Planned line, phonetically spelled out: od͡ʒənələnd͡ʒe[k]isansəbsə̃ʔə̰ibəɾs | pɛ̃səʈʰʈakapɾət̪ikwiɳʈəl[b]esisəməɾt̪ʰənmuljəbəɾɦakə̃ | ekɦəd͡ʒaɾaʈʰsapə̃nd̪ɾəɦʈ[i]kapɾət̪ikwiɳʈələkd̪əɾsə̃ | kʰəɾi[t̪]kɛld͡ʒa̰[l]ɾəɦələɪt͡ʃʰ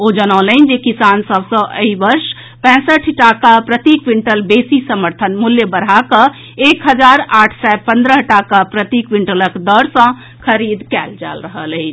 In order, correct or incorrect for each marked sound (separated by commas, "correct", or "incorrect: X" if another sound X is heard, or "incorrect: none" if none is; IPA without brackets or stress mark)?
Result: correct, correct, incorrect: a, incorrect: d̪, correct